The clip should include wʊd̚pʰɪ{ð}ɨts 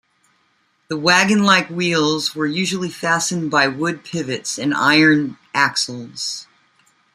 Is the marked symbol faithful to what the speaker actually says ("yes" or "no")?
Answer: no